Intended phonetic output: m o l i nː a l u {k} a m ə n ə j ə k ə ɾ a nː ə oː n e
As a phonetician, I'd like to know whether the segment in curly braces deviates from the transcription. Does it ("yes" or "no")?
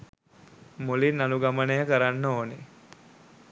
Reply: yes